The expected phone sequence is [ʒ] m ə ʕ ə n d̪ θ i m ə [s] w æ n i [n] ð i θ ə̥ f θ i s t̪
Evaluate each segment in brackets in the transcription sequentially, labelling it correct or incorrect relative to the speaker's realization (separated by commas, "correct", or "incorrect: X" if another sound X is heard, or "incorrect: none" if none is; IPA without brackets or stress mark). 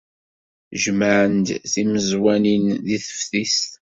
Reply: correct, incorrect: z, correct